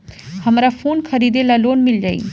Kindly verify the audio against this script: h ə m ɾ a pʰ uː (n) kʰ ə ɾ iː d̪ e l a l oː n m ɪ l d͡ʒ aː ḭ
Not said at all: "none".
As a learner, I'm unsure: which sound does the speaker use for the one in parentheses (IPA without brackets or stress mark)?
n